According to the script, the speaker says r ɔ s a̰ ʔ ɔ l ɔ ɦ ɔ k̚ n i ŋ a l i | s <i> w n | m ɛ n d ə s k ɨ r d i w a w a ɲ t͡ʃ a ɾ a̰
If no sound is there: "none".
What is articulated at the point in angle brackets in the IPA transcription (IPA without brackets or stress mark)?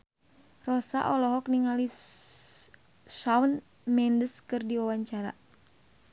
a